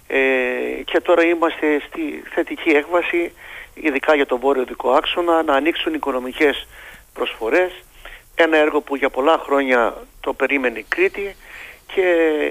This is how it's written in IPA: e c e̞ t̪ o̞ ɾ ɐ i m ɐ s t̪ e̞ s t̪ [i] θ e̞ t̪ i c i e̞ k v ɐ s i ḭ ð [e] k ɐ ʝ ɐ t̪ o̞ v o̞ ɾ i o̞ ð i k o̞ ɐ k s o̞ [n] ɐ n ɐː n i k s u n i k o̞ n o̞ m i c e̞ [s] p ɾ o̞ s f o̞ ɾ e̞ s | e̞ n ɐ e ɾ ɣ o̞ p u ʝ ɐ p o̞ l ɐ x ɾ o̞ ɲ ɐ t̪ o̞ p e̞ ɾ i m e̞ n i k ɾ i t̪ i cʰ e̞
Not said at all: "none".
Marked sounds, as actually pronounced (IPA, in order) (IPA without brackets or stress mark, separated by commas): i, i, n, s